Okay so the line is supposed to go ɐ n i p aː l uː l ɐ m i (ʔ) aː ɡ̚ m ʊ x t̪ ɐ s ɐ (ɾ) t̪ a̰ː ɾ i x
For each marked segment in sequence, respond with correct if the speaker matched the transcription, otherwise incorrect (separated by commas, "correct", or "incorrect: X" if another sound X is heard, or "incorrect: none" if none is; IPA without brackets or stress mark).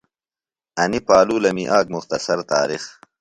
correct, correct